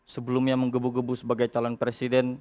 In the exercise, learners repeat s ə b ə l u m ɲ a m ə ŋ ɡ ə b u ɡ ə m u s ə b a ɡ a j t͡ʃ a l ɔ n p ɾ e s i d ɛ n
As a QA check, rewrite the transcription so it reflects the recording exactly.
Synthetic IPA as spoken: s ə b ə l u m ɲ a m ə ŋ ɡ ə b u ɡ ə b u s ə b a ɡ a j t͡ʃ a l ɔ n p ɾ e s i d ɛ n